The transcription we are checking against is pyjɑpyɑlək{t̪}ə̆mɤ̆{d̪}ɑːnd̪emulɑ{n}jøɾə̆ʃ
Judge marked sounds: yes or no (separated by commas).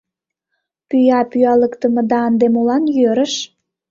yes, yes, yes